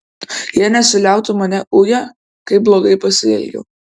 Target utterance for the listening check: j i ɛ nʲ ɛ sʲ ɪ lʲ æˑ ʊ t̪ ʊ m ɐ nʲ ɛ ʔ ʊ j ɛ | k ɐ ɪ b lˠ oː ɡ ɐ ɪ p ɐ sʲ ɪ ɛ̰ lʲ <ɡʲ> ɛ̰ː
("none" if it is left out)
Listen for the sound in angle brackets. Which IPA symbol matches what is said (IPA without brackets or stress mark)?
ɡʲ